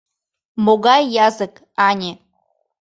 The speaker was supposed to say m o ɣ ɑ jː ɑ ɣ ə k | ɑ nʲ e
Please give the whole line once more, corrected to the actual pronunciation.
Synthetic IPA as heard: m o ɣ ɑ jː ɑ z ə k | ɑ nʲ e

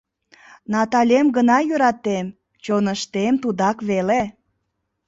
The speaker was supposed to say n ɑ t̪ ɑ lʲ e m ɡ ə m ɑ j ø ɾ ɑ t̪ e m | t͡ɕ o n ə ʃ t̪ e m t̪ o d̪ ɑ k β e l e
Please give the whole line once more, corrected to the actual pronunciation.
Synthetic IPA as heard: n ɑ t̪ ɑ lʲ e m ɡ ə n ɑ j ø ɾ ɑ t̪ e m | t͡ɕ o n ə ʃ t̪ e m t̪ u d̪ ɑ k β e l e

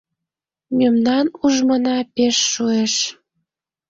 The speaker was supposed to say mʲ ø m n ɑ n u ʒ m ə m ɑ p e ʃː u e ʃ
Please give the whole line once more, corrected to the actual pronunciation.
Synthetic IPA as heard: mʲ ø m n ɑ n u ʒ m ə n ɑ p e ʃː u e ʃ

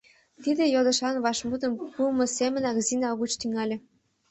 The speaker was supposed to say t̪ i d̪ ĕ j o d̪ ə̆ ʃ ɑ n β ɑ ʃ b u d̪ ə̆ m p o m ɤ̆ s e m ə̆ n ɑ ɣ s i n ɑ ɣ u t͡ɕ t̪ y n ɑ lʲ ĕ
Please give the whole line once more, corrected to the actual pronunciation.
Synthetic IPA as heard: t̪ i d̪ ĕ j o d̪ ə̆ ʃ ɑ n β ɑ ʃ m u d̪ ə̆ m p u m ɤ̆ s e m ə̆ n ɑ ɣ z i n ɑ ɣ u t͡ɕ t̪ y ŋ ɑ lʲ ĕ

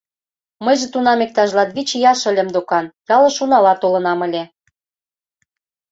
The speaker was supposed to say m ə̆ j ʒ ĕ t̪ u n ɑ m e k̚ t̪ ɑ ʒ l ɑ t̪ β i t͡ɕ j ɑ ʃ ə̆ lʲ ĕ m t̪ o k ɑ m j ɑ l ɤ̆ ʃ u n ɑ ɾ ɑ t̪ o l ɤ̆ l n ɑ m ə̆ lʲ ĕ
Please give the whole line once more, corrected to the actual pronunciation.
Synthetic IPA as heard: m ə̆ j ʒ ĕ t̪ u n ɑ m e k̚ t̪ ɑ ʒ l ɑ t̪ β i t͡ɕ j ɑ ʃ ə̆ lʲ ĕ m d̪ o k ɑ n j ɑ l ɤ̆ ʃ u n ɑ l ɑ t̪ o l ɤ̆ n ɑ m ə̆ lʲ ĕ

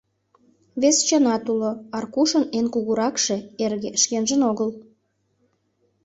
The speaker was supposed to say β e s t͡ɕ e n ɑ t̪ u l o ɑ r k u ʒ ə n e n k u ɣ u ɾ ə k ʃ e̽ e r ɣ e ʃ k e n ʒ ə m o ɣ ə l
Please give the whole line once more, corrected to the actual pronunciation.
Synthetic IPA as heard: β e s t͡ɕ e n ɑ t̪ u l o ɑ r k u ʃ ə n e n k u ɣ u ɾ ɑ k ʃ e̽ e r ɣ e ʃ k e n ʒ ə n o ɣ ə l

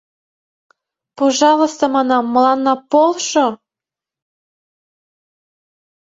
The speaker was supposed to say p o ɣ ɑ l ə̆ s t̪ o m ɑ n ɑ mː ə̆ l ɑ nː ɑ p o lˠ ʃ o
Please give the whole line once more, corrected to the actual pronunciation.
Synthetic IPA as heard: p o ʒ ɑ l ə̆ s t̪ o m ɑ n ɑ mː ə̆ l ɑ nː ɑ p o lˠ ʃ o

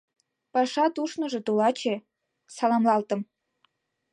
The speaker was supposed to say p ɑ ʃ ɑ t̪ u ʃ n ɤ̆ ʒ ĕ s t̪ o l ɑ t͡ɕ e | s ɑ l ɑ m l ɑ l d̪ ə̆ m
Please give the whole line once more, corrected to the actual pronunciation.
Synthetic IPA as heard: p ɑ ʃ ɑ t̪ u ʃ n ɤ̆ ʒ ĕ t̪ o l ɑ t͡ɕ e | s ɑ l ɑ m l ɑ l t̪ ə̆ m

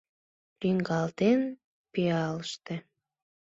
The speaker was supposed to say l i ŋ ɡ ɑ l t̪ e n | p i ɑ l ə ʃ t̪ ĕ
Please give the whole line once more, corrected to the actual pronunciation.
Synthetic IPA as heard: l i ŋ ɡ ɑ l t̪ e n | p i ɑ l ə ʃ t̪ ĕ

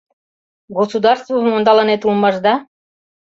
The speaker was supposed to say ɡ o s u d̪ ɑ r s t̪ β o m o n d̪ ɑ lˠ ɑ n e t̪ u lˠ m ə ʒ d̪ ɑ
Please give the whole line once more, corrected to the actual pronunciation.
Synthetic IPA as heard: ɡ o s u d̪ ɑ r s t̪ v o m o n d̪ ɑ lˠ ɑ n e t̪ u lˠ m ɑ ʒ d̪ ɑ

